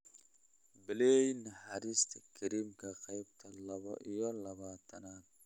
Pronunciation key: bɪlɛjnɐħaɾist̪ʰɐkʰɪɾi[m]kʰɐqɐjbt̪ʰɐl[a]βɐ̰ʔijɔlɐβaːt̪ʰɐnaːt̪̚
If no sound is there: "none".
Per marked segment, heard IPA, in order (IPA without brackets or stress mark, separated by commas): m, ɐ